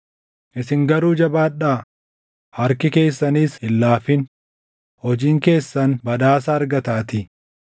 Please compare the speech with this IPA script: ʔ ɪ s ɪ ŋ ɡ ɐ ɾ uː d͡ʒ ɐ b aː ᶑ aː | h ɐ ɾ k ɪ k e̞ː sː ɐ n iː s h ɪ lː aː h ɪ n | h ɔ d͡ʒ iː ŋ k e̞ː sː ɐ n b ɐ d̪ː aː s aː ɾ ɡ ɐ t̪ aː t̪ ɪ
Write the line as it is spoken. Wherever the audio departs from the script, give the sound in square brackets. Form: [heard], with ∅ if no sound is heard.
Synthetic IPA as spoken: ʔ ɪ s ɪ ŋ ɡ ɐ ɾ uː d͡ʒ ɐ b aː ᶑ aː | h ɐ ɾ k ɪ k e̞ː sː ɐ n iː s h ɪ lː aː [f] ɪ n | h ɔ d͡ʒ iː ŋ k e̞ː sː ɐ n b ɐ [d̪] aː s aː ɾ ɡ ɐ t̪ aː t̪ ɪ